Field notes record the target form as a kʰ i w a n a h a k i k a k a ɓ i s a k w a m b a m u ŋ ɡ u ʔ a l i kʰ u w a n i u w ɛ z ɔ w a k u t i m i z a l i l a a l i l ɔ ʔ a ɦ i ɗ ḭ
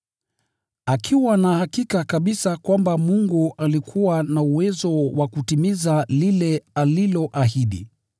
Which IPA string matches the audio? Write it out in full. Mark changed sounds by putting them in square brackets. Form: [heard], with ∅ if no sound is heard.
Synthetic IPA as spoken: a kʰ i w a n a h a k i k a k a ɓ i s a k w a m b a m u ŋ ɡ u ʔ a l i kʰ u w a n [a] u w ɛ z ɔ w a k u t i m i z a l i l [ɛ] a l i l ɔ ʔ a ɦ i ɗ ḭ